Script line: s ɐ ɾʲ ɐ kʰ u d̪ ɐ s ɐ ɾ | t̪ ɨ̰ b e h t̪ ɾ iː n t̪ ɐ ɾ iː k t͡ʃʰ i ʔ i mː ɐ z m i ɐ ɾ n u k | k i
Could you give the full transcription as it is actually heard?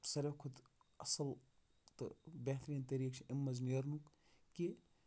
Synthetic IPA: s ɐ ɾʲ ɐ kʰ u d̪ ɐ s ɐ l | t̪ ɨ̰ b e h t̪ ɾ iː n t̪ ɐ ɾ iː k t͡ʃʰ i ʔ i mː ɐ z n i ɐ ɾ n u k | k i